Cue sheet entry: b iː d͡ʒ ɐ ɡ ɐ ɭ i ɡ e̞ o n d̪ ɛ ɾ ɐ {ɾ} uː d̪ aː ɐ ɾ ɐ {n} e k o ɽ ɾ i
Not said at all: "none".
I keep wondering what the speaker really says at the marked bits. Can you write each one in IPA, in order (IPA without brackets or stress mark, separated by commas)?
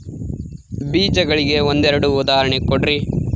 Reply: ɽ, ɳ